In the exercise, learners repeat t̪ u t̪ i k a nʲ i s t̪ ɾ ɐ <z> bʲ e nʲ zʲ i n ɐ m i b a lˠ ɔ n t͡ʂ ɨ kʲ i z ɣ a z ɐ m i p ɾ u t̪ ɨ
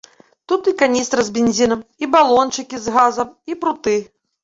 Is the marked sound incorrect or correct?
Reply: correct